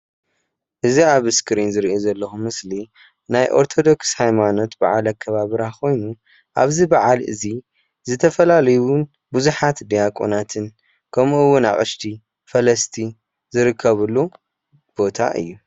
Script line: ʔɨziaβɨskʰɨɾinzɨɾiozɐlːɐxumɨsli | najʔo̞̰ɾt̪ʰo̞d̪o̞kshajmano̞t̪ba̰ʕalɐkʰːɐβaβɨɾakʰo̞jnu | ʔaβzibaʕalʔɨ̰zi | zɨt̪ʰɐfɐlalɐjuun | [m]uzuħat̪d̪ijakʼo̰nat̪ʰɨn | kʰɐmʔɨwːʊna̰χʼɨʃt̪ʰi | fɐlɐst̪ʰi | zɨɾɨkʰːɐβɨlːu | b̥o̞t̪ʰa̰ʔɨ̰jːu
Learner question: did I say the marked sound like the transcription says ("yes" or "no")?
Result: no